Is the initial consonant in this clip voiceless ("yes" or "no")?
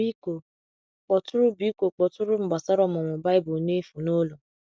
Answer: yes